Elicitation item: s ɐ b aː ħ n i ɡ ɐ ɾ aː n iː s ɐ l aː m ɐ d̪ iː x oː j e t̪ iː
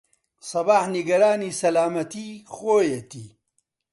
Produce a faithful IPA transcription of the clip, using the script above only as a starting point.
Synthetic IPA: s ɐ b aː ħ n i ɡ ɐ ɾ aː n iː s ɐ l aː m ɐ t̪ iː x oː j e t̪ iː